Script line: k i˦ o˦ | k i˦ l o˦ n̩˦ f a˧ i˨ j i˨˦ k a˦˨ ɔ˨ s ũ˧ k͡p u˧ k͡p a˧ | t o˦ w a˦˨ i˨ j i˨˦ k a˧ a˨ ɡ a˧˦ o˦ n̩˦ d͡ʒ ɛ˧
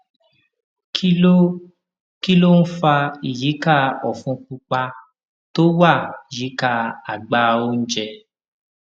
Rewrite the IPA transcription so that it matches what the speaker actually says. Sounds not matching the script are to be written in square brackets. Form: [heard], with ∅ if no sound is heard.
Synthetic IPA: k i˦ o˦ | k i˦ l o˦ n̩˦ f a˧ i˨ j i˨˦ k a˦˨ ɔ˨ [f] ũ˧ k͡p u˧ k͡p a˧ | t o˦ w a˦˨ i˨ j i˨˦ k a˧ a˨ [ɡ͡b] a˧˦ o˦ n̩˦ d͡ʒ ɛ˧